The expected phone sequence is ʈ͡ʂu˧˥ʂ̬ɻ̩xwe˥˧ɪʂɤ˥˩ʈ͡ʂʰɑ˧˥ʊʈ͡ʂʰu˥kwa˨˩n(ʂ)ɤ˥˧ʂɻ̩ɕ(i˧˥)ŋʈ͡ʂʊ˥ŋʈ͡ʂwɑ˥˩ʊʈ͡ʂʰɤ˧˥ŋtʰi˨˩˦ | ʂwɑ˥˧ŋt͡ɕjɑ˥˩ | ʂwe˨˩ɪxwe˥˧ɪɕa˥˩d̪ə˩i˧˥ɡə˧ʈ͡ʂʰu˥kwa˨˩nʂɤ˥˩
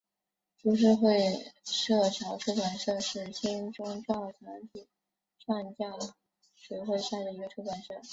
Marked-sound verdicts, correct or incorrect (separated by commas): correct, incorrect